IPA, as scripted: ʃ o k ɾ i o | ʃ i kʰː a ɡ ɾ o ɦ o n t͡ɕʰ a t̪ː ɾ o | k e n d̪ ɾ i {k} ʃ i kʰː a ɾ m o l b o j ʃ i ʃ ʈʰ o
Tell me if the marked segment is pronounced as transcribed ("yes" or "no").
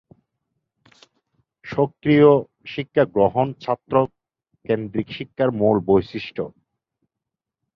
yes